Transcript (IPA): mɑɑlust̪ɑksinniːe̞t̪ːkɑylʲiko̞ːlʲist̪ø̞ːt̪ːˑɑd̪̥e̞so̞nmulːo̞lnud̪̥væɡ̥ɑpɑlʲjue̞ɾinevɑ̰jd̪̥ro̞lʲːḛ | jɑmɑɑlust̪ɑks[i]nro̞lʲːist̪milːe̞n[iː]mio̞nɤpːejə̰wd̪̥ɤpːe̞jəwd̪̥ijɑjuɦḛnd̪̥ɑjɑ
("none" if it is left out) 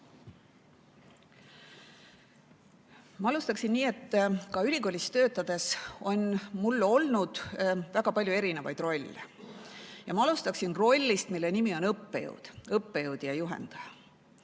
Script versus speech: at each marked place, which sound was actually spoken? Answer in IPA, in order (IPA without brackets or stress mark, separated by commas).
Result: i, i